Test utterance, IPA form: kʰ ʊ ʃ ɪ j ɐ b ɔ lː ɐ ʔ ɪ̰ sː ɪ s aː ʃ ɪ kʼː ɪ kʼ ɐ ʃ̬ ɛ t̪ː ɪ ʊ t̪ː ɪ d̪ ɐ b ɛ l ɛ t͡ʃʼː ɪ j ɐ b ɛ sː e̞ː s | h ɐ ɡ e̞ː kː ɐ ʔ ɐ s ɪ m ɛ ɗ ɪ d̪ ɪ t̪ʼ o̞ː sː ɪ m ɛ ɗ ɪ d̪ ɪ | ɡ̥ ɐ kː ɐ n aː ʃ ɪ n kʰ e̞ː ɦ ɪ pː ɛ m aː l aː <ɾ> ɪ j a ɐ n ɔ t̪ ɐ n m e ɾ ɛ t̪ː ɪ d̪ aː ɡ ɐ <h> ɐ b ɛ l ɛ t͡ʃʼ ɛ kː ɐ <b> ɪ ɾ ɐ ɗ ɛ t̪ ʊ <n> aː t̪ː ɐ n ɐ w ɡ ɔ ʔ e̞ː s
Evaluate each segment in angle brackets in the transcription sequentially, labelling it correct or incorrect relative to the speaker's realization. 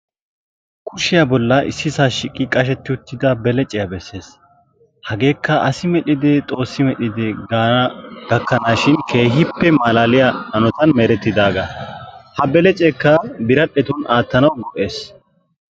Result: incorrect: l, correct, correct, correct

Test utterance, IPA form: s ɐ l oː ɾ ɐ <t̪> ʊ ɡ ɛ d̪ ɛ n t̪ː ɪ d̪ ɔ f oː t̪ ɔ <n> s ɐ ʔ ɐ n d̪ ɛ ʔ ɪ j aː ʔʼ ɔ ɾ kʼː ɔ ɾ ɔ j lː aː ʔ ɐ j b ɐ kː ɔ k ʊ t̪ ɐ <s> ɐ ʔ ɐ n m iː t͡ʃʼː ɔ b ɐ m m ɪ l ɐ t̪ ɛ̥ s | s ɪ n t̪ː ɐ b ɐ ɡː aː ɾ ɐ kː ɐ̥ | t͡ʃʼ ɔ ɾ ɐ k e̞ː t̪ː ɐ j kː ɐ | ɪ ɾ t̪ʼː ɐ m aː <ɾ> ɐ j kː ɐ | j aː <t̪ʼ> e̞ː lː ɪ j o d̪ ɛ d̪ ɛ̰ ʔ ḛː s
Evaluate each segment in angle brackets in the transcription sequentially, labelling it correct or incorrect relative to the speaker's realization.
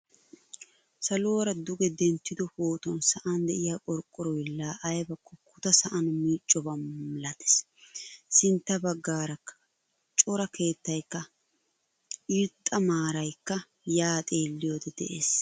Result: incorrect: d̪, correct, correct, correct, correct

